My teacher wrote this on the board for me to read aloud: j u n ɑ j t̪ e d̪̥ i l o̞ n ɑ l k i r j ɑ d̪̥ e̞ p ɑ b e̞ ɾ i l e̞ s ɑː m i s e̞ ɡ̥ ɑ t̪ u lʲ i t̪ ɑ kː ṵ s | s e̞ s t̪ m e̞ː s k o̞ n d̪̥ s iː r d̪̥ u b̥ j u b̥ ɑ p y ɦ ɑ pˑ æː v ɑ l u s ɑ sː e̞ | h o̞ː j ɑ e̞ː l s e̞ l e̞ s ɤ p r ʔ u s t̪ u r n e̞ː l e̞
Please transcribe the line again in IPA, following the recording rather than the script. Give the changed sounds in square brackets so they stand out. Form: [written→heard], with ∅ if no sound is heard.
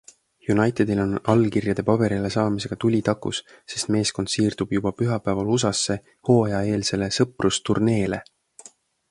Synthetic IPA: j u n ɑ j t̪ e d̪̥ i l o̞ n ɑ l k i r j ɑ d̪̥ e̞ p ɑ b e̞ ɾ i l e̞ s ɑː m i s e̞ ɡ̥ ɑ t̪ u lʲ i t̪ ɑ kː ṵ s | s e̞ s t̪ m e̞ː s k o̞ n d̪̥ s iː r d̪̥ u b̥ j u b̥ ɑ p y ɦ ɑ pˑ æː v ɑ l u s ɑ sː e̞ | h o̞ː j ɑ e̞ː l s e̞ l e̞ s ɤ p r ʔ u s t̪ u r n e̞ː l e̞